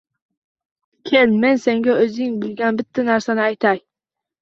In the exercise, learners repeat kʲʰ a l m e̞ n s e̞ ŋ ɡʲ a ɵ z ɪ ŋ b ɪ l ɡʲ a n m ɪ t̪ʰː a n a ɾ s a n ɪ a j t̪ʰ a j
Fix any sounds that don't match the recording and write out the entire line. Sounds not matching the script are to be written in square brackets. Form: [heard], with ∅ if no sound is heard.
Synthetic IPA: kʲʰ [e] l m e̞ n s e̞ ŋ ɡʲ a ɵ z ɪ ŋ b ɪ l ɡʲ a n [b] ɪ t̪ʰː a n a ɾ s a n ɪ a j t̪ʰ a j